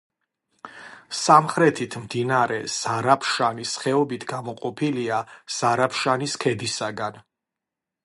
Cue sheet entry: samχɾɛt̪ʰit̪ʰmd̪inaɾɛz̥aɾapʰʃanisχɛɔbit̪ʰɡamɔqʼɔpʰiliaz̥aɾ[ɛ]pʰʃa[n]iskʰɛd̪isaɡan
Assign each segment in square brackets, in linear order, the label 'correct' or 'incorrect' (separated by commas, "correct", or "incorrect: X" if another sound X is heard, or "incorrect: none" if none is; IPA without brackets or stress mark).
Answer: incorrect: a, correct